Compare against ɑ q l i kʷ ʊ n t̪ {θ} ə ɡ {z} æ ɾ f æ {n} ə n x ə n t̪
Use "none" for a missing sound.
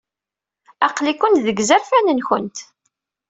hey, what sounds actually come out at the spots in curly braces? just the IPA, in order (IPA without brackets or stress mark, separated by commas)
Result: ð, z, n